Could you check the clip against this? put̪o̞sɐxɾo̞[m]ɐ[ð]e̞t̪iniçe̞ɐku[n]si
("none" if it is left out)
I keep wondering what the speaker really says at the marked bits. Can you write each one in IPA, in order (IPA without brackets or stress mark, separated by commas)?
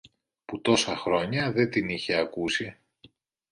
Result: ɲ, ð, none